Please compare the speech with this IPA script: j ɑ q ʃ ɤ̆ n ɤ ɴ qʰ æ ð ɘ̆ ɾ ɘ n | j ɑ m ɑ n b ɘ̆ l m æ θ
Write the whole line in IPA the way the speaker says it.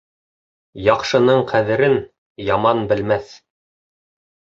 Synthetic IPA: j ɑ q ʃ ɤ̆ n ɤ ɴ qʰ æ ð ɘ̆ ɾ ɘ n | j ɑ m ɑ n b ɘ̆ l m æ θ

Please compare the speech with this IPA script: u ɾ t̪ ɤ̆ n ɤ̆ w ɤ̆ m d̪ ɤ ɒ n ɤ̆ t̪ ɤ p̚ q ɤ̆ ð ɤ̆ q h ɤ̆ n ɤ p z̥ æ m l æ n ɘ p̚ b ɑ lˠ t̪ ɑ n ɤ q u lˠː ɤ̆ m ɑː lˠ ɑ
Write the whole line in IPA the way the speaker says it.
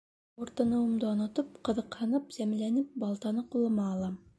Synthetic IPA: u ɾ t̪ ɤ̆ n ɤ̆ w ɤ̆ m d̪ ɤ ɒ n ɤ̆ t̪ ɤ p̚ q ɤ̆ ð ɤ̆ q h ɤ̆ n ɤ p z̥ æ m l æ n ɘ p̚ b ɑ lˠ t̪ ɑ n ɤ q u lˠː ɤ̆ m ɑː lˠ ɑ

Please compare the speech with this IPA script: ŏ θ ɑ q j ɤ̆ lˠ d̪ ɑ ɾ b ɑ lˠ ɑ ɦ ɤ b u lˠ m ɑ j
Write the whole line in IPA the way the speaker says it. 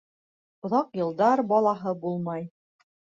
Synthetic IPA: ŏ ð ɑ q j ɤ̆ lˠ d̪ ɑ ɾ b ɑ lˠ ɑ ɦ ɤ b u lˠ m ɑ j

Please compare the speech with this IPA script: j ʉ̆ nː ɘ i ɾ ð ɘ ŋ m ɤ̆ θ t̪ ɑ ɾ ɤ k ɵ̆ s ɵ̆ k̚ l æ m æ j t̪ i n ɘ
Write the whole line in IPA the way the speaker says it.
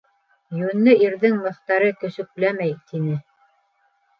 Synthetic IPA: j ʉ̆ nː ɘ i ɾ ð ɘ ŋ m ɤ̆ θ t̪ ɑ ɾ ɤ k ɵ̆ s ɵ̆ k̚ l æ m æ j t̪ i n ɘ

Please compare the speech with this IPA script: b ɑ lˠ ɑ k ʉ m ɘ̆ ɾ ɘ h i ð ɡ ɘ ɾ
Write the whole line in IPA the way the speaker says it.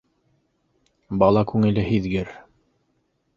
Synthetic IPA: b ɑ lˠ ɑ k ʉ ŋ ɘ̆ l ɘ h i ð ɡ ɘ ɾ

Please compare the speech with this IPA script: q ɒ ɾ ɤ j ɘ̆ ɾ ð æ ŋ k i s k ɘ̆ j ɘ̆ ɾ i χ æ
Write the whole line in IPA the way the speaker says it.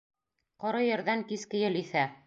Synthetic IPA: q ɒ ɾ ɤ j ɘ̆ ɾ ð æ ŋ k i s k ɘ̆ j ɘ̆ l i θ æ

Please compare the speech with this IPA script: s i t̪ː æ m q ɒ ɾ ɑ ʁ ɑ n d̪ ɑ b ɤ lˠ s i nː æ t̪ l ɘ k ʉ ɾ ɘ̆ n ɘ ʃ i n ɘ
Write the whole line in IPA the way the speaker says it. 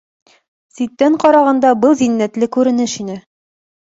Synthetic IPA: s i t̪ː æ ɴ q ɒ ɾ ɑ ʁ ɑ n d̪ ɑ b ɤ lˠ z i nː æ t̪ l ɘ k ʉ ɾ ɘ̆ n ɘ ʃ i n ɘ

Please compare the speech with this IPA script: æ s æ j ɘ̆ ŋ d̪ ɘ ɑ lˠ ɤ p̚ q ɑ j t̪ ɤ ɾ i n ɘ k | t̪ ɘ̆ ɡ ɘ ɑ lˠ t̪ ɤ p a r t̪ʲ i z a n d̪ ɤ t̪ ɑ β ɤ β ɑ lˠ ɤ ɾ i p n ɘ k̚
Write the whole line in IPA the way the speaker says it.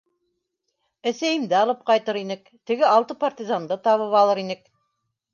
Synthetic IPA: æ s æ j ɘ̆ m d̪ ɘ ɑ lˠ ɤ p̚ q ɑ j t̪ ɤ ɾ i n ɘ k | t̪ ɘ̆ ɡ ɘ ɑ lˠ t̪ ɤ p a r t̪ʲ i z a n d̪ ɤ t̪ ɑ β ɤ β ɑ lˠ ɤ ɾ i n ɘ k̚

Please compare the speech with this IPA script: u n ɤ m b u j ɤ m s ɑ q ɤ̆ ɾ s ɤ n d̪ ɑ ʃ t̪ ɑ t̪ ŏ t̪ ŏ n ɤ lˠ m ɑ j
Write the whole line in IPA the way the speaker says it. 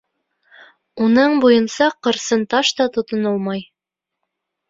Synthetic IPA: u n ɤ ɴ b u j ɤ n s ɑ q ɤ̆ ɾ s ɤ n t̪ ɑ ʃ t̪ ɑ t̪ ŏ t̪ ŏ n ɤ lˠ m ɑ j

